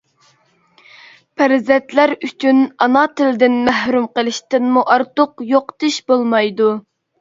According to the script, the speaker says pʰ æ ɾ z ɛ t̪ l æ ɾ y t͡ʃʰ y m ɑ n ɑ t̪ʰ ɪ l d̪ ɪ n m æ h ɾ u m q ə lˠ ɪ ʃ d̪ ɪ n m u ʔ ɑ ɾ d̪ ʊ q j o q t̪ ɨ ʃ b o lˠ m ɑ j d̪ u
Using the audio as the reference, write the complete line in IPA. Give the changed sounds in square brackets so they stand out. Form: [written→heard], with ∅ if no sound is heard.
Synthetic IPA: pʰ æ ɾ z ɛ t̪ l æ ɾ y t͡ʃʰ y [m→n] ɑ n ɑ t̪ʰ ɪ l d̪ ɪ n m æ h ɾ u m q ə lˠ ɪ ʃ [d̪→t̪] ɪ n m u ʔ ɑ ɾ [d̪→t̪] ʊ q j o q t̪ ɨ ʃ b o lˠ m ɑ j d̪ u